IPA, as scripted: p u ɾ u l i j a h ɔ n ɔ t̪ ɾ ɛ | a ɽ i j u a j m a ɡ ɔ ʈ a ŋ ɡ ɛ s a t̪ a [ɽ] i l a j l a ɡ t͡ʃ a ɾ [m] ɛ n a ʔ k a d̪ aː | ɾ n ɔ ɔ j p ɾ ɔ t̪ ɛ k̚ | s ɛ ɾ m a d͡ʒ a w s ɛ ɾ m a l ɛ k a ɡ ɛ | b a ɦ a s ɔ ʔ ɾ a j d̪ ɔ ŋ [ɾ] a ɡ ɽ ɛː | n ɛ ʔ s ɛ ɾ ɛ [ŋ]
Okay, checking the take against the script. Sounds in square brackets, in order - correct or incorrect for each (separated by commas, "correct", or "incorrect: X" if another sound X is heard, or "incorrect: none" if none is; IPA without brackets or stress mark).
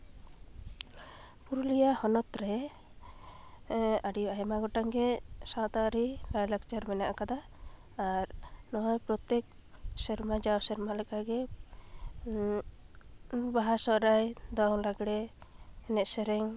incorrect: ɾ, correct, incorrect: l, correct